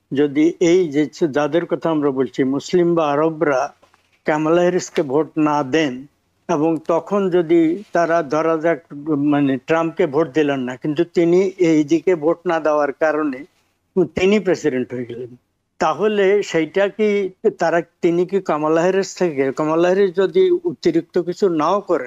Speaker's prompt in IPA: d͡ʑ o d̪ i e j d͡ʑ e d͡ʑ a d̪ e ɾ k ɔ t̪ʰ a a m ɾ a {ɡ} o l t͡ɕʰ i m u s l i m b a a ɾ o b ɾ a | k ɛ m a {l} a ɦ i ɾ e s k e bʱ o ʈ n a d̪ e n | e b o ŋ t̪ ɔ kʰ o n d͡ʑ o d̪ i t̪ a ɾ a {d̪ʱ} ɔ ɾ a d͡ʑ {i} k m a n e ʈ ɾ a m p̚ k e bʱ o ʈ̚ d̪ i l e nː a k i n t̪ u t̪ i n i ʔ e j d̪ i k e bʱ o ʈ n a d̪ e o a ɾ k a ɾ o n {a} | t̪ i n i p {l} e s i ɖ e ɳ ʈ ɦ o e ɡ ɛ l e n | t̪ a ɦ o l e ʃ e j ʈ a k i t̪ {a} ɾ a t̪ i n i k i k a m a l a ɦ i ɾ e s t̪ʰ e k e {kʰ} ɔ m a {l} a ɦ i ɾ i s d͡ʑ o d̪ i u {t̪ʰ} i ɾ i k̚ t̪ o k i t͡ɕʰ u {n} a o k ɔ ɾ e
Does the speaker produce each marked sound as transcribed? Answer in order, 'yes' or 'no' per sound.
no, yes, yes, no, no, no, yes, no, yes, no, yes

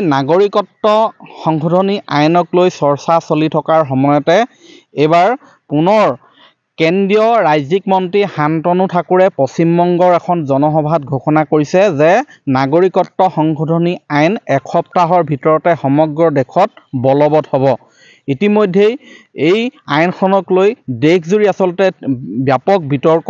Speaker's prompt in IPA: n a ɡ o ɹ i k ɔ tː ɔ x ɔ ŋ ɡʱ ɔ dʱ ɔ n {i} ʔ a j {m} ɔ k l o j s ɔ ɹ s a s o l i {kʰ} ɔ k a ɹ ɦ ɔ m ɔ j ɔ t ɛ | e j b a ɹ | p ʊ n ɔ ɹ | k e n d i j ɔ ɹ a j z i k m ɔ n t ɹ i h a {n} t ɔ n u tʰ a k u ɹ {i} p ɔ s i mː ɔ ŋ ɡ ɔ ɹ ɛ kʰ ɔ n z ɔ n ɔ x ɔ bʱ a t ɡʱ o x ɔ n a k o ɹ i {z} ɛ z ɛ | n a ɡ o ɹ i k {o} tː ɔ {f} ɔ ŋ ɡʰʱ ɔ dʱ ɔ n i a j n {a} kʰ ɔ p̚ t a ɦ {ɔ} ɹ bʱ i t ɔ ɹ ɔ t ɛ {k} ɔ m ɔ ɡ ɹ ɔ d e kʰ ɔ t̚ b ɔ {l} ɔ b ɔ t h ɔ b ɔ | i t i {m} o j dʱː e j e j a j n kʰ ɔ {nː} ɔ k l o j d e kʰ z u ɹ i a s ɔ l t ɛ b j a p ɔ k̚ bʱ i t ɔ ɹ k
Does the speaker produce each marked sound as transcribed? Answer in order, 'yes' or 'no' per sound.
yes, no, no, yes, no, no, no, no, no, yes, no, yes, yes, no

